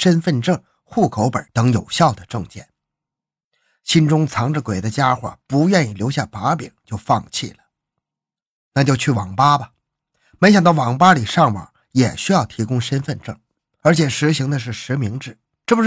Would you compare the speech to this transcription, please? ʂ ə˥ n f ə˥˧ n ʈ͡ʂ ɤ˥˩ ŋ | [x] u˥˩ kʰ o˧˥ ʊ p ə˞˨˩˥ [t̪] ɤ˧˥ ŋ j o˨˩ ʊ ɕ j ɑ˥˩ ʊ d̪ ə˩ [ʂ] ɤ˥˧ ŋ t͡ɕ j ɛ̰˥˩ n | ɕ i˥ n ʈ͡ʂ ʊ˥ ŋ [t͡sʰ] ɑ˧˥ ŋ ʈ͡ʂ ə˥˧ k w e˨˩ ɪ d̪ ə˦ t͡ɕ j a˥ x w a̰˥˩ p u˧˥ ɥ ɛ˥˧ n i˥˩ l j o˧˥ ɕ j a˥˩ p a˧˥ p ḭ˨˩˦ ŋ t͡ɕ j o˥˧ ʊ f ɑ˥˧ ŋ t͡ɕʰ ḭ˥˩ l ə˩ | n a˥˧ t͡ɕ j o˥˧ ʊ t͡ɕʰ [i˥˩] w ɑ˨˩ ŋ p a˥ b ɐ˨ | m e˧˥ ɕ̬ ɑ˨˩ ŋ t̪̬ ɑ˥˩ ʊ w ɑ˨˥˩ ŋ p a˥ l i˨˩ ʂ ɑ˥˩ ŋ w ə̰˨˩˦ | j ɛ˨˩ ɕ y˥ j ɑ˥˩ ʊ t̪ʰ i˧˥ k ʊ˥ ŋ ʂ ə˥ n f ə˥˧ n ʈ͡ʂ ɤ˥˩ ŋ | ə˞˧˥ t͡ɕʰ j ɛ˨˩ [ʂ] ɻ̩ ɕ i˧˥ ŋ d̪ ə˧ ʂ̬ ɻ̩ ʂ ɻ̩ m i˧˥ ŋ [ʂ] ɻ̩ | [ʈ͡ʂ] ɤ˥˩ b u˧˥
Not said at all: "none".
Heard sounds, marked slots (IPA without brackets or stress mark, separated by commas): x, t̪, ʈ͡ʂ, t͡sʰ, y˥˩, ʂ, ʈ͡ʂ, ʈ͡ʂ